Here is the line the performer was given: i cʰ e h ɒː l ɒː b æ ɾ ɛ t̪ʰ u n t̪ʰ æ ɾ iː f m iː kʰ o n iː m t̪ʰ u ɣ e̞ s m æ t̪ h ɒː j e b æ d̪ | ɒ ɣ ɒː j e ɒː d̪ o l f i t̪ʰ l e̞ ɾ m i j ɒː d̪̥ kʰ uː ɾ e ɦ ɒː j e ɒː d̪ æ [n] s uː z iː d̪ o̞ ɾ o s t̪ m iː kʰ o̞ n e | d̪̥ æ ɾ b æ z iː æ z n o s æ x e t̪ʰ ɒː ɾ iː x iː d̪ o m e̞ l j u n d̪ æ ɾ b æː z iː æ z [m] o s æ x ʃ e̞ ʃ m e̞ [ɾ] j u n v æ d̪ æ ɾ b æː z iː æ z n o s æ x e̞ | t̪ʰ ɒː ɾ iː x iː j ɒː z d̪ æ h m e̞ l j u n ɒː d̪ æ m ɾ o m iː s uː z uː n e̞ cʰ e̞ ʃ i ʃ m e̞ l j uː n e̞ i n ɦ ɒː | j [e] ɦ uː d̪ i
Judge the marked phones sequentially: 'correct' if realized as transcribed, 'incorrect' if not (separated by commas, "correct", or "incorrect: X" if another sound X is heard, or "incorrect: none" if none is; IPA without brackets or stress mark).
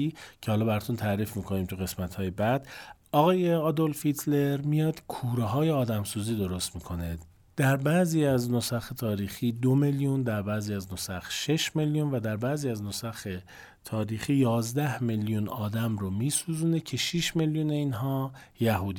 incorrect: m, incorrect: n, incorrect: l, incorrect: æ